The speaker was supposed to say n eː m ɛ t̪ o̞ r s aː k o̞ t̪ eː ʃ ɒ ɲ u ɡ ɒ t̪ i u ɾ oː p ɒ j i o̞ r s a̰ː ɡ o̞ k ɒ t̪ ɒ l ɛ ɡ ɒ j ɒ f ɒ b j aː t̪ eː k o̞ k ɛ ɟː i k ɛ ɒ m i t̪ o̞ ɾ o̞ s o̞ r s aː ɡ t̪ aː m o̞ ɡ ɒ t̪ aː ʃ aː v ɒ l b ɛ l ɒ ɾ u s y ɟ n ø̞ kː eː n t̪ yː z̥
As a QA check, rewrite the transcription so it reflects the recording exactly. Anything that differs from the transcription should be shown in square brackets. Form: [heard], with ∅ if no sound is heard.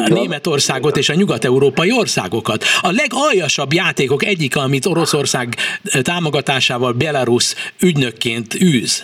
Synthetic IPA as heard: n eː m ɛ t̪ o̞ r s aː [ɡ] o̞ t̪ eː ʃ ɒ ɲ u ɡ ɒ t̪ [ɛ] u ɾ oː p ɒ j i o̞ r s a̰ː ɡ o̞ k ɒ t̪ ɒ l ɛ ɡ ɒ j ɒ [ʃ] ɒ b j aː t̪ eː k o̞ k ɛ ɟː i k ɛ ɒ m i t̪ o̞ ɾ o̞ s o̞ r s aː ɡ t̪ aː m o̞ ɡ ɒ t̪ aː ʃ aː v ɒ l b ɛ l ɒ ɾ u s y ɟ n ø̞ kː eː n t̪ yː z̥